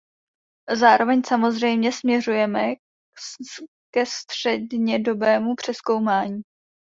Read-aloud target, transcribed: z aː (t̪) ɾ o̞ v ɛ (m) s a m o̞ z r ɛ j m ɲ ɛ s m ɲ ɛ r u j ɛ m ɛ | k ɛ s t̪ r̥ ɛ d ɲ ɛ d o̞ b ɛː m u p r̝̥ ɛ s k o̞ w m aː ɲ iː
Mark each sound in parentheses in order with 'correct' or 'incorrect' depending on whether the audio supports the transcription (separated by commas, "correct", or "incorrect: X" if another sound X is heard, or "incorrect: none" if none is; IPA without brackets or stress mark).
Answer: incorrect: none, incorrect: ɲ